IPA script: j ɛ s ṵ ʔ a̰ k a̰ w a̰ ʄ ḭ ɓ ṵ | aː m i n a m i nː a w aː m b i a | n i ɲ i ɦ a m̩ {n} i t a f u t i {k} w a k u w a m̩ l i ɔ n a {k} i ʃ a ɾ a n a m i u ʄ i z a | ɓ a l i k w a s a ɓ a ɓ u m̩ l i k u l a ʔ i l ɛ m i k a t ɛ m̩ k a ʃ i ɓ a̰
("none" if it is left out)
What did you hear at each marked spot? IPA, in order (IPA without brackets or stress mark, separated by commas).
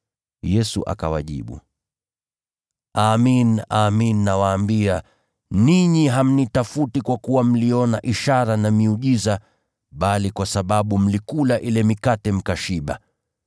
n, k, ʔ